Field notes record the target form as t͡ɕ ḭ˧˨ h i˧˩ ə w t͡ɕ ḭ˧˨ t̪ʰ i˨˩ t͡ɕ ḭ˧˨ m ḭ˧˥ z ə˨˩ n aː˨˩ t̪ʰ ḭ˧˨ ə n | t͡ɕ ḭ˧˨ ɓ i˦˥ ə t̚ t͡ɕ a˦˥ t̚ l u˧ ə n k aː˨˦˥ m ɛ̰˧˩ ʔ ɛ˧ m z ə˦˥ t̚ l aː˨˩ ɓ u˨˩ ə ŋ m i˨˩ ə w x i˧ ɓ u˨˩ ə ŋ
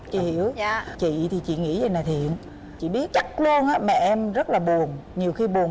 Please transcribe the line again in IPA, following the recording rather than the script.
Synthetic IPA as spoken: t͡ɕ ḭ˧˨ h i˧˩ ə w t͡ɕ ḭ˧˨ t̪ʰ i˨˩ t͡ɕ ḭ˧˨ ŋ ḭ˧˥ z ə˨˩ n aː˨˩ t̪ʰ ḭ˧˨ ə n | t͡ɕ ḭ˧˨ ɓ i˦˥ ə t̚ t͡ɕ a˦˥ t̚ l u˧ ə n ʔ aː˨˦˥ m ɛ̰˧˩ ʔ ɛ˧ m z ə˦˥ t̚ l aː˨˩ ɓ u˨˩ ə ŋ ɲ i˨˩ ə w x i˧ ɓ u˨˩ ə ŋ